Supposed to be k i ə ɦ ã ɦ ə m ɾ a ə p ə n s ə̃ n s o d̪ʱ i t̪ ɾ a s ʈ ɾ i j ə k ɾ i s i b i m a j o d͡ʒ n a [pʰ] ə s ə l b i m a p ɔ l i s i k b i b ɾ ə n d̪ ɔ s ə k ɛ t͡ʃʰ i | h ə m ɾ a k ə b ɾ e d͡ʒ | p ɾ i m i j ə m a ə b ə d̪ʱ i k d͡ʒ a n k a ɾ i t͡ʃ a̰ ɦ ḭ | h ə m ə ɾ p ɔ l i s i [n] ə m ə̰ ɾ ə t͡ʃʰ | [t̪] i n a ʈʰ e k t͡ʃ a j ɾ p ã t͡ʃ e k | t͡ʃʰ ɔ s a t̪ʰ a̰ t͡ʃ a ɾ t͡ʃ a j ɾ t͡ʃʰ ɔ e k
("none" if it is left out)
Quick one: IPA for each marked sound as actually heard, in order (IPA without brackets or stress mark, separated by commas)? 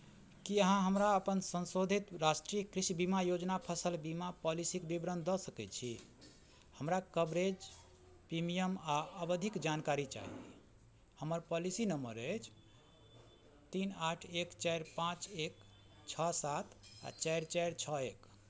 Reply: pʰ, n, t̪